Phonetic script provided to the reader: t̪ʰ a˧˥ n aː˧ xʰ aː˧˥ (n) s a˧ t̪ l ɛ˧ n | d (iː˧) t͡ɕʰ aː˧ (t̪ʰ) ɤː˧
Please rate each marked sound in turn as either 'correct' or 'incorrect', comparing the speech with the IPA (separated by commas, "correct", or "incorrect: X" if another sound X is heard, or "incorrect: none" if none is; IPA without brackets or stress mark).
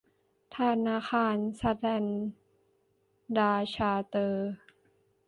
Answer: correct, incorrect: aː˧, incorrect: t̪